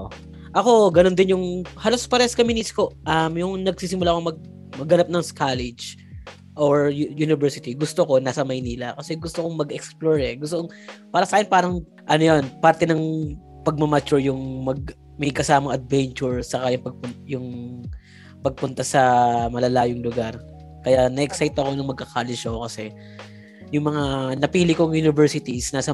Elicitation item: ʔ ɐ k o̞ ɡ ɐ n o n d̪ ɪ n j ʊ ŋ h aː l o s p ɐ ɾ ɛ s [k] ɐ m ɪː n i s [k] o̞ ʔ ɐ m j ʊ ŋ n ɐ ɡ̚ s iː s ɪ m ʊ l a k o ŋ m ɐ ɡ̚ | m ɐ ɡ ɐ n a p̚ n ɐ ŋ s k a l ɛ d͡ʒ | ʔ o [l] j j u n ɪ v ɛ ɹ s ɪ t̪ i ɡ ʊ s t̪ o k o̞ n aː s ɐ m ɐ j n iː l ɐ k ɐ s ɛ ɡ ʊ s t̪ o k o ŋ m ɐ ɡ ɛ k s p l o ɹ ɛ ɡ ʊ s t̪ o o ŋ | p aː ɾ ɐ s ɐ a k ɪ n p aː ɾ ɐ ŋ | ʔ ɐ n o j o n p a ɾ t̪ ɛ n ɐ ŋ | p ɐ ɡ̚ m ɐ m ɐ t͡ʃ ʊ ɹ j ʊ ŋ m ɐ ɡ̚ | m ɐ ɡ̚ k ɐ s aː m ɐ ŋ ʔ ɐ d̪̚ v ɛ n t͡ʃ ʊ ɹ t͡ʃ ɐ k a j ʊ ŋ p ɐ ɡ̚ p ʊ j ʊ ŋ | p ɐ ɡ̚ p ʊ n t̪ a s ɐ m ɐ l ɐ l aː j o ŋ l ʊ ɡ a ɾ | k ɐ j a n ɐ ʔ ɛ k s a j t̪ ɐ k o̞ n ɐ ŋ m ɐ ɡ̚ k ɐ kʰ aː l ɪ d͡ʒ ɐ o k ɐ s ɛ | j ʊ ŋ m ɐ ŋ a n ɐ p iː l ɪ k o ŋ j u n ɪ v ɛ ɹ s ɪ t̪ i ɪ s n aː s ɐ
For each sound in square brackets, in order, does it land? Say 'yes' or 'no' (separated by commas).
yes, yes, no